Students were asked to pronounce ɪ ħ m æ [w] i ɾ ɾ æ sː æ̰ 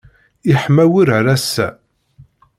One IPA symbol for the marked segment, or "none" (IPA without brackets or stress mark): w